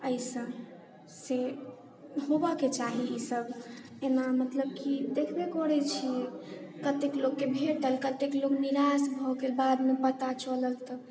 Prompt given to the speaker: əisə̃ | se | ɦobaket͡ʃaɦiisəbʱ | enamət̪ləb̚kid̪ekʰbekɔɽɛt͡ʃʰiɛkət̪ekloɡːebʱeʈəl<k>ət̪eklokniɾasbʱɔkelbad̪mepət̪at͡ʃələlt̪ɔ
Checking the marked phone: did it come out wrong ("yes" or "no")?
no